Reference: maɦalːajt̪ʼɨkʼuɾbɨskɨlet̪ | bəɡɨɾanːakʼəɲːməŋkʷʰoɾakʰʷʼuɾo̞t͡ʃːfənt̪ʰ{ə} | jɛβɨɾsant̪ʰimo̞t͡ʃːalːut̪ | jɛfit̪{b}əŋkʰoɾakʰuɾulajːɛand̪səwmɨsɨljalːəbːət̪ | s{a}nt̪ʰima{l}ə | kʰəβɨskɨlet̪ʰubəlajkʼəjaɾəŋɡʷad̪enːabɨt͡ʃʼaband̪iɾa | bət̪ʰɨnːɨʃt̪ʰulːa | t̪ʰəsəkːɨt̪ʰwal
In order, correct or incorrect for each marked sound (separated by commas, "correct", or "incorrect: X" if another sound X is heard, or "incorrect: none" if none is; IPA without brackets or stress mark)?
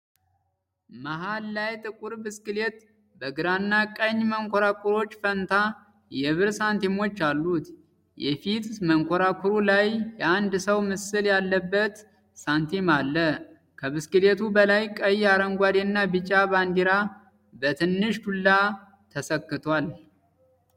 incorrect: a, incorrect: m, correct, incorrect: lː